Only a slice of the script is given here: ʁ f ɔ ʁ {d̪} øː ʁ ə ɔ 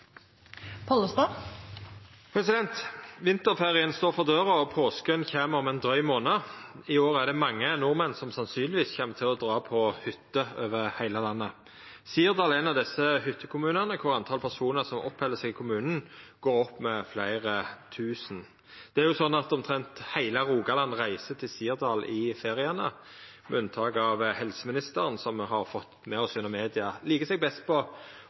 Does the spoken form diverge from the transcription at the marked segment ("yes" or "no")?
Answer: no